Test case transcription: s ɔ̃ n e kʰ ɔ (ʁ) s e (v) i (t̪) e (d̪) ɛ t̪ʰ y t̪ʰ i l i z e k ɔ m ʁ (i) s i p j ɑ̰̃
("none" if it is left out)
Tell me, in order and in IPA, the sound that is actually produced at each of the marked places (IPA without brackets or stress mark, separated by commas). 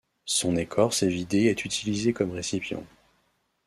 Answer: ʁ, v, d̪, none, e